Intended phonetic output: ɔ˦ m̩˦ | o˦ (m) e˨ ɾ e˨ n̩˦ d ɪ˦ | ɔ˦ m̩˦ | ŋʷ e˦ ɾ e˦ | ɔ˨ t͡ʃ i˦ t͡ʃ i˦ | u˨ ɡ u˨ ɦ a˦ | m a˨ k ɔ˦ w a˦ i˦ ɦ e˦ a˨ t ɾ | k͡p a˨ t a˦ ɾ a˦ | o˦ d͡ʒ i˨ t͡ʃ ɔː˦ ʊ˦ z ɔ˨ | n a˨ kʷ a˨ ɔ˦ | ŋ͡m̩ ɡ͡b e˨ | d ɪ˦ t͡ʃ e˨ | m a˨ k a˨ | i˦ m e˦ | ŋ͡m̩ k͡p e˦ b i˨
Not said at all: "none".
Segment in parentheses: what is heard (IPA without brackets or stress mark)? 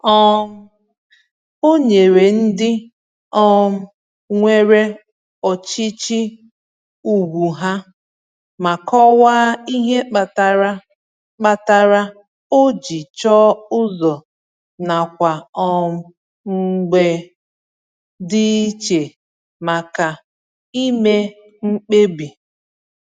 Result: ɲ